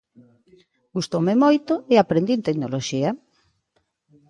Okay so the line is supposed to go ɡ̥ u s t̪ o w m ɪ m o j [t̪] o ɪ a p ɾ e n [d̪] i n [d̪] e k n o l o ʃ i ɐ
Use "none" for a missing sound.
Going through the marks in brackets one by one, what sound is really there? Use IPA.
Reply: t̪, d̪, t̪

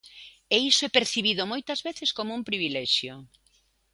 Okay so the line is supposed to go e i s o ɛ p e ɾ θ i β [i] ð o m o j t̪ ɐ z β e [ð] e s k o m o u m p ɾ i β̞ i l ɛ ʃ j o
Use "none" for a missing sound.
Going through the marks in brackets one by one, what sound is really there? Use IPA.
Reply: i, θ

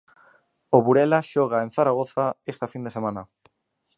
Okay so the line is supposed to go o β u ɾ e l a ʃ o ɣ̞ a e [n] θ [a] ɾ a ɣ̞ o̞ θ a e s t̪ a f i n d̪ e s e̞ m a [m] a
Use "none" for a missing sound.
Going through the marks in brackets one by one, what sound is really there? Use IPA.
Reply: n, a, n

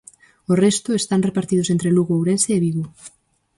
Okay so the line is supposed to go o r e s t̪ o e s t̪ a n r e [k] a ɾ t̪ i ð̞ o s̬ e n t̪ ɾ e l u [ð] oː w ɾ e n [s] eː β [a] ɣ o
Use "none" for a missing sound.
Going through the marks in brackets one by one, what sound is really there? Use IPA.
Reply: p, ɣ, s, i

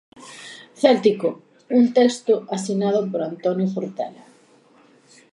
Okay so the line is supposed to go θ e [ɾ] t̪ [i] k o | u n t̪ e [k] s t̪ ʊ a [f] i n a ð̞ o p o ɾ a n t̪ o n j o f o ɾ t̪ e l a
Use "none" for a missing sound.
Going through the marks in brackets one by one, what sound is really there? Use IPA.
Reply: l, i, k, s

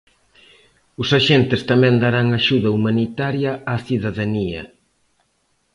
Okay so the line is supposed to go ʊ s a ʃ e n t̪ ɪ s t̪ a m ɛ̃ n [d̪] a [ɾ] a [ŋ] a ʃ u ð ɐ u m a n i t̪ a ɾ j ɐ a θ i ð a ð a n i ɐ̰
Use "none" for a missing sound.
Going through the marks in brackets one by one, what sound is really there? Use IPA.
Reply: d̪, ɾ, ŋ

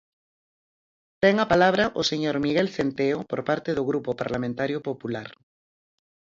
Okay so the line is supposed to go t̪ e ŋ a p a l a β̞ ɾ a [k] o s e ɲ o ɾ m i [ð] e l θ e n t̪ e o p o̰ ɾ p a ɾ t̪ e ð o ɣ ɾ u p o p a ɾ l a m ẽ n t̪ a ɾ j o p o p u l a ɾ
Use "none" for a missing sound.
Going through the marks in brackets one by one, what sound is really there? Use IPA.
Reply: ʔ, ɣ

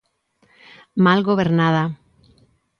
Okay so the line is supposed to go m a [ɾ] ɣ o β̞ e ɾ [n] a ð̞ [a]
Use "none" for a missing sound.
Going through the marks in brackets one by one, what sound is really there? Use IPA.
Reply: l, n, a

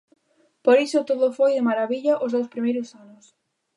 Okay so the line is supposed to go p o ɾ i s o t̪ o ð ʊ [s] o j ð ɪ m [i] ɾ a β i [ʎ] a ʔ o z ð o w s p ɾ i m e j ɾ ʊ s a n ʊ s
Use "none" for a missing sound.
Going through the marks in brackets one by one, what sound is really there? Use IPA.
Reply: f, a, ʎ

